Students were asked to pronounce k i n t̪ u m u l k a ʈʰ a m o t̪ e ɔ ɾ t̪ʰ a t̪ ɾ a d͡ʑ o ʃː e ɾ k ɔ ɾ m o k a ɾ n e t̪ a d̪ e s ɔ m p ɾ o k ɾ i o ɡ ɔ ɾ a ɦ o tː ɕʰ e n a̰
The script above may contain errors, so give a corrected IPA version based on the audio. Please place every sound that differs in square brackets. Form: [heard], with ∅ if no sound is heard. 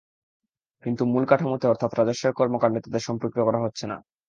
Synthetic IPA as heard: k i n t̪ u m u l k a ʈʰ a m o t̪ e ɔ ɾ t̪ʰ a t̪ ɾ a d͡ʑ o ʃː e ɾ k ɔ ɾ m o k a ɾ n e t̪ a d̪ e [ʃ] ɔ m p ɾ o k ɾ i o [k] ɔ ɾ a ɦ o tː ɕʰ e n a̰

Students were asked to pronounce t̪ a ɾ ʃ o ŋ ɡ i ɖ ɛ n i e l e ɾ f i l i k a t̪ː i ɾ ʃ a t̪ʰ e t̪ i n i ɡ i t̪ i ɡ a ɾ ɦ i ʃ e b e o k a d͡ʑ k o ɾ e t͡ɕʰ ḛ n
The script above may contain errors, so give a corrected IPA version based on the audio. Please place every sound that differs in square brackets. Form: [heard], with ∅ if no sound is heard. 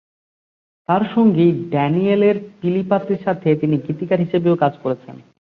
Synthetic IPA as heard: t̪ a ɾ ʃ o ŋ ɡ i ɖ ɛ n i e l e ɾ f i l i [p] a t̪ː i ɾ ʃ a t̪ʰ e t̪ i n i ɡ i t̪ i [k] a ɾ ɦ i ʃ e b e o k a d͡ʑ k o ɾ e t͡ɕʰ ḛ n

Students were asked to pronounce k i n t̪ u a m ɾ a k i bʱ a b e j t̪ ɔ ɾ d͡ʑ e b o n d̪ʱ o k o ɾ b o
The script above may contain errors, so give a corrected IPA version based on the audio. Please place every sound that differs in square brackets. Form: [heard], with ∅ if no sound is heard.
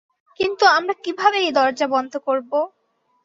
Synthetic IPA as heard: k i n t̪ u a m ɾ a k i bʱ a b e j [d̪] ɔ ɾ d͡ʑ [a] b [ɔ] n d̪ʱ o k o ɾ b o

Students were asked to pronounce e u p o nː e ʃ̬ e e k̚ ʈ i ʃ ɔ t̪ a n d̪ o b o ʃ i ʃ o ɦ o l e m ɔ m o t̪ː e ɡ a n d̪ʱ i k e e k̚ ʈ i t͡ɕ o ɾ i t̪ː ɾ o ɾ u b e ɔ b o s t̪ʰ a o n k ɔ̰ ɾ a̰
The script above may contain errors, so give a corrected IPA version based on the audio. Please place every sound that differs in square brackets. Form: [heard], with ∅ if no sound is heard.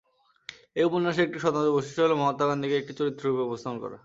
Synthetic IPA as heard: e u p o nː [a] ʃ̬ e e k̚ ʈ i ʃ ɔ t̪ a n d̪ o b o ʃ i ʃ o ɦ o l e m ɔ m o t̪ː [a] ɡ a n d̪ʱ i k e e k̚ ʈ i t͡ɕ o ɾ i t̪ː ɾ o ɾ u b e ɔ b o s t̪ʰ a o n k ɔ̰ ɾ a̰

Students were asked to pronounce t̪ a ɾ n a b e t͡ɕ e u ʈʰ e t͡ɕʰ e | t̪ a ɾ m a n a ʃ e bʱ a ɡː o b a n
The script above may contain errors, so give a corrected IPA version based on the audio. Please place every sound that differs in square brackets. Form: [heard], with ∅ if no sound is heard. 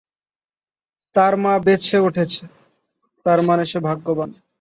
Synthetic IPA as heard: t̪ a ɾ [m] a b e [t͡ɕʰ] e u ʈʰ e t͡ɕʰ e | t̪ a ɾ m a n [e] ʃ e bʱ a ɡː o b a n

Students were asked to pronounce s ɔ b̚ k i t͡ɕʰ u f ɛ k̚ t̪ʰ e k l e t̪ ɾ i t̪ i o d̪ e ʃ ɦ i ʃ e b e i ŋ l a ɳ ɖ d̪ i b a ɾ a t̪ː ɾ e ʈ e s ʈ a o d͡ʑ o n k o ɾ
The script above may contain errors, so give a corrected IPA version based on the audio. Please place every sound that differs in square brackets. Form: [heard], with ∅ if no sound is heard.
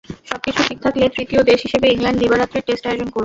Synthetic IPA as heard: [ʃ] ɔ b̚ k i t͡ɕʰ u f [i] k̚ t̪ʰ [a] k l e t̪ ɾ i t̪ i o d̪ e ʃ ɦ i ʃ e b e i ŋ l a ɳ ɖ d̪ i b a ɾ a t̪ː ɾ e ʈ e s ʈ a o d͡ʑ o n k o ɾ

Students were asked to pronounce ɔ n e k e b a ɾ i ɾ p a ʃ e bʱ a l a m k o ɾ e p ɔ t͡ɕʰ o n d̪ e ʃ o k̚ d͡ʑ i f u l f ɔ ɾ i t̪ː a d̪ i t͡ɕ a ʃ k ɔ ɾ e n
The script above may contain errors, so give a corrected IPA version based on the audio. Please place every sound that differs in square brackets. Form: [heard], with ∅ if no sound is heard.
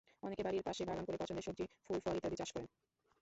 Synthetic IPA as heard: ɔ n e k e b a ɾ i ɾ p a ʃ e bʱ a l a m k o ɾ e p ɔ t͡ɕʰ o n d̪ e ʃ o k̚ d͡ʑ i f u l f ɔ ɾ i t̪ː a d̪ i t͡ɕ a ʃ k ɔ ɾ e n

